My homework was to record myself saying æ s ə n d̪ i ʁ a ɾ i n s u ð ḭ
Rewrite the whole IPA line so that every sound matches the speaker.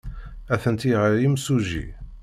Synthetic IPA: æ θ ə n t̪ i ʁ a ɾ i m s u ʒ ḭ